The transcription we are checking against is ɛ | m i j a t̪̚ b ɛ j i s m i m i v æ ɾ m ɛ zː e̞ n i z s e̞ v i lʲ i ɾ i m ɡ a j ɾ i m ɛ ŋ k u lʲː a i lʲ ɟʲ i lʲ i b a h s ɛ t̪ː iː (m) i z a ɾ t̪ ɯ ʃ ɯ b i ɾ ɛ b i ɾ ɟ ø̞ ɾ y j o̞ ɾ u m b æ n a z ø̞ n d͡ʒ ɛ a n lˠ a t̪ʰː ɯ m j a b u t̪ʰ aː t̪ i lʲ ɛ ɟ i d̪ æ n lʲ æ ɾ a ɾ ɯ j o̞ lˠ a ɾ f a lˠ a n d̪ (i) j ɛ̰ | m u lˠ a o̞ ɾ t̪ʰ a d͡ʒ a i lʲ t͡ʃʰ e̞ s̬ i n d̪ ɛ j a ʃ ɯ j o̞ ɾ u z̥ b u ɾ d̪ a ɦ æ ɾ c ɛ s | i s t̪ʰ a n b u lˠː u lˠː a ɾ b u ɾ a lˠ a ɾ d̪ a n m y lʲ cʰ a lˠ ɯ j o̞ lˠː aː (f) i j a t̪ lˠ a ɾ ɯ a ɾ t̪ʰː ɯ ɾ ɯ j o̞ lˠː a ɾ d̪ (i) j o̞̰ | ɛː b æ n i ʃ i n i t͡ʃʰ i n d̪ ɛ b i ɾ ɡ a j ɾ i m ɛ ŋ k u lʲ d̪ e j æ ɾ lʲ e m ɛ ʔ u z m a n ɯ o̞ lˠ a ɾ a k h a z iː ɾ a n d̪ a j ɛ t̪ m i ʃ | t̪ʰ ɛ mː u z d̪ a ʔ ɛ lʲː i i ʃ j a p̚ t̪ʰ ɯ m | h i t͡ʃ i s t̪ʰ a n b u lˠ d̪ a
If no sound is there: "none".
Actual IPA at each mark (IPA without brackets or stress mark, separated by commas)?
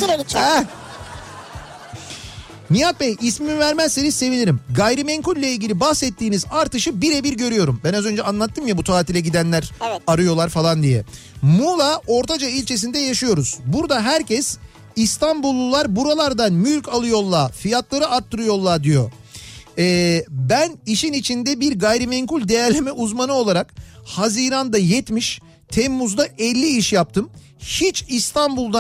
n, i, f, i